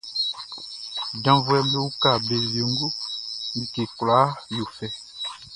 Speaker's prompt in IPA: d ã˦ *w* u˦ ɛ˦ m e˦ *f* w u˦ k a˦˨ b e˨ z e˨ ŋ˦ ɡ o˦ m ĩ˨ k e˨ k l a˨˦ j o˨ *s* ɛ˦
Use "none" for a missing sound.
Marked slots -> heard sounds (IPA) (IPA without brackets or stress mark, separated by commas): v, none, f